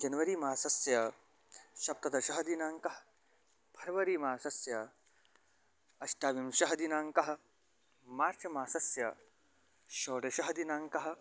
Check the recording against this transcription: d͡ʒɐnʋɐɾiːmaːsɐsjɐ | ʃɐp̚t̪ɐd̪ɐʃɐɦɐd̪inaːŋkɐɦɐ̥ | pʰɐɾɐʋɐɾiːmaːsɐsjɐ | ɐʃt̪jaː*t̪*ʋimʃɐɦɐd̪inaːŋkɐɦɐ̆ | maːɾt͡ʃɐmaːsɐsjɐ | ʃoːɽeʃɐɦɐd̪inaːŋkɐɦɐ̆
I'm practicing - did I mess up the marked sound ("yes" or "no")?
yes